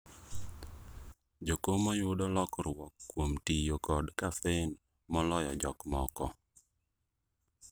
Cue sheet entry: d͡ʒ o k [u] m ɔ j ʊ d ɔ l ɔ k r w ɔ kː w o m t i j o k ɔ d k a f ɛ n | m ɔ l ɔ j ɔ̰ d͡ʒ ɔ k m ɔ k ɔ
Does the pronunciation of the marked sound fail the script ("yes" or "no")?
yes